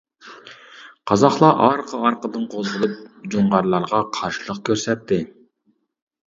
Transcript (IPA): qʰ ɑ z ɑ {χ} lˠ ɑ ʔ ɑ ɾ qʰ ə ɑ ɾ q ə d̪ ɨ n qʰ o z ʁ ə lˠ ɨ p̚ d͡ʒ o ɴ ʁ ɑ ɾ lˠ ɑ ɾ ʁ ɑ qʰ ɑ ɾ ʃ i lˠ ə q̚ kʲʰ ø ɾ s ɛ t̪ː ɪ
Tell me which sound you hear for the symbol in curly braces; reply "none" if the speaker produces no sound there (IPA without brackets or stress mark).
χ